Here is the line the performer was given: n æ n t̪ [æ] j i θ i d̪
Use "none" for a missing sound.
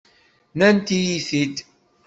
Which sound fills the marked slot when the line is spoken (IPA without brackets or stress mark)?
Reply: i